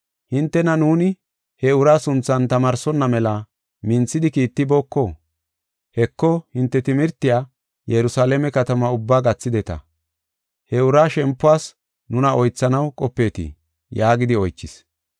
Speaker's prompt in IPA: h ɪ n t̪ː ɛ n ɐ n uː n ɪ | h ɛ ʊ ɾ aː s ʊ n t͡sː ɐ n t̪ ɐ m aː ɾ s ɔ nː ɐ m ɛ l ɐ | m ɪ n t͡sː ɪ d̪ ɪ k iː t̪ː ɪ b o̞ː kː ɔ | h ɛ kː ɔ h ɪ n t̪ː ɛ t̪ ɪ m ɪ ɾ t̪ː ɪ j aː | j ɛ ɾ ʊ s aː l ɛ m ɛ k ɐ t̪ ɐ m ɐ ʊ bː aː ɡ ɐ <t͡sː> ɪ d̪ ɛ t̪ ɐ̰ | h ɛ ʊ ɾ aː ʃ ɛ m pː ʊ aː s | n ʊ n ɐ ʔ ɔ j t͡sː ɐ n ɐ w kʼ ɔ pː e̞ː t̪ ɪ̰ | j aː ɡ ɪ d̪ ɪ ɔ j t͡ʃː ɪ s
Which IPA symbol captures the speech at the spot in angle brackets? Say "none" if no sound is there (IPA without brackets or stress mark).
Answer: t͡sː